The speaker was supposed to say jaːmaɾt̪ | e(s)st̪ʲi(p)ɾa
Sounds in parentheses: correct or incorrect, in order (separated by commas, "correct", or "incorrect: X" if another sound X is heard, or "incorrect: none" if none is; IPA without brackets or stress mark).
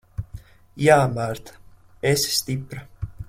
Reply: correct, correct